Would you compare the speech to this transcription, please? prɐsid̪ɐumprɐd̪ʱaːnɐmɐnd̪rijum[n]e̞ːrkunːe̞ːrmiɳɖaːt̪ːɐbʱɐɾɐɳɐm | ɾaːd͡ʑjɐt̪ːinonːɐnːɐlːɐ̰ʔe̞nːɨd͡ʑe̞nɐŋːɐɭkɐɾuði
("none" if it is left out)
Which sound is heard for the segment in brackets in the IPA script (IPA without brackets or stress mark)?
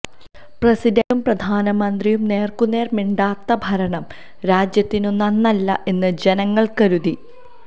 n